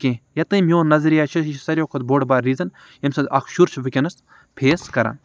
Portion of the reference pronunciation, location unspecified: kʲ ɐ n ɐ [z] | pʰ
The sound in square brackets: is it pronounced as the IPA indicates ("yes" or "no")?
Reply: no